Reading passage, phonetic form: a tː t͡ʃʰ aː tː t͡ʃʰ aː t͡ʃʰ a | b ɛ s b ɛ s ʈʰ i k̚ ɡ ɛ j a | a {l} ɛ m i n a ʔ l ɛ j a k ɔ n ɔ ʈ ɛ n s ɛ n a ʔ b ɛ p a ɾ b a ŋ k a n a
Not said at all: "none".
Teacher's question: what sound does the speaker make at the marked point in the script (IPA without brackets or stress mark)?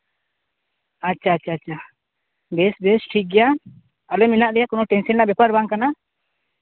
l